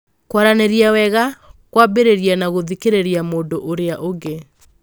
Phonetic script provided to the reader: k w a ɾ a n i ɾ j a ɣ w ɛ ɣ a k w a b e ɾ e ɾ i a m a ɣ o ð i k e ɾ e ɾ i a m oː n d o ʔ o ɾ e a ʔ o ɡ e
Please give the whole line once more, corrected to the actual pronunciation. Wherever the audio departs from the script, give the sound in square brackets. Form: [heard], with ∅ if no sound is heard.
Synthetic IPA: k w a ɾ a n [e] ɾ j a [∅] w ɛ ɣ a k w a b e ɾ e ɾ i a [n] a ɣ o ð i k e ɾ e ɾ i a m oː n d o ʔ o ɾ e a ʔ o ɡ e